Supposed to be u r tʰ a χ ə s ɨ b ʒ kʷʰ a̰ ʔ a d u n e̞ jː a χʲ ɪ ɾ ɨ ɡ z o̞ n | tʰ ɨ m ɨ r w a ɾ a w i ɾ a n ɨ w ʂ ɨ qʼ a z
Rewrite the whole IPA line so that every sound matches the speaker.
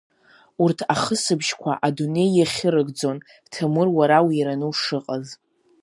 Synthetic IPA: u r tʰ a χ ə s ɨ b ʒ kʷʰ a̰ ʔ a d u n e̞ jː a χʲ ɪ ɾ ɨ ɡ d͡z o̞ n | tʰ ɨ m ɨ r w a ɾ a w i ɾ a n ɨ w ʂ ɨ qʼ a z